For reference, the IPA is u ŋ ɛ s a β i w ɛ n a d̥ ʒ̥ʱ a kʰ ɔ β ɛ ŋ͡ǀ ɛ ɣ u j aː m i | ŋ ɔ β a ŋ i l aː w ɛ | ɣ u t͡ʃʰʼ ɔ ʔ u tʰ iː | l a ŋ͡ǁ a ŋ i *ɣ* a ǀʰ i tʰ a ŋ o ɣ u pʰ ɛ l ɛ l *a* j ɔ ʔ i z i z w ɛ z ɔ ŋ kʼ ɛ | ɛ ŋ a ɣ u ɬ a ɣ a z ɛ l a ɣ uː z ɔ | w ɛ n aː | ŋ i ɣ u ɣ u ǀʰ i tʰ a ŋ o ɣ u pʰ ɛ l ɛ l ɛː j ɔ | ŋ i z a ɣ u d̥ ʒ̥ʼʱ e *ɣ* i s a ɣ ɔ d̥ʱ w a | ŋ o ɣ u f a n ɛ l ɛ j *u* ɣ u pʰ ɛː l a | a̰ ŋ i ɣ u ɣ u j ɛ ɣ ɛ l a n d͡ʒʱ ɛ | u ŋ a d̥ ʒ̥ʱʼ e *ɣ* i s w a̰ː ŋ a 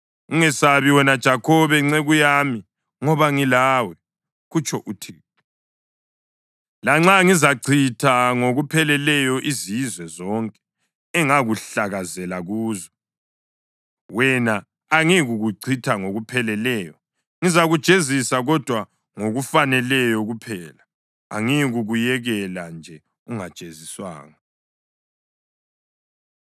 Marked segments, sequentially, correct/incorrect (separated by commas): incorrect, incorrect, incorrect, incorrect, incorrect